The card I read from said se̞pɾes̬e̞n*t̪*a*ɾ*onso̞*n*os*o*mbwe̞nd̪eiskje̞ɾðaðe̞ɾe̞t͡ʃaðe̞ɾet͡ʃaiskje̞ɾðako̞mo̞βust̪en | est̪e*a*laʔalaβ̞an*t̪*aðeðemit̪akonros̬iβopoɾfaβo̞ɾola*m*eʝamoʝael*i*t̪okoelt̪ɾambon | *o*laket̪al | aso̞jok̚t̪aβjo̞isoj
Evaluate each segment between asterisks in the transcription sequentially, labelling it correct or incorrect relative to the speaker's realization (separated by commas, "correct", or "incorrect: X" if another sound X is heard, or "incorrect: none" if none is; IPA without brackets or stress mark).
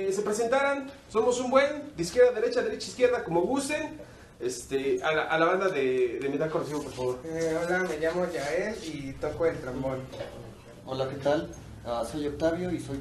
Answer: correct, correct, incorrect: m, incorrect: u, correct, incorrect: d̪, correct, correct, correct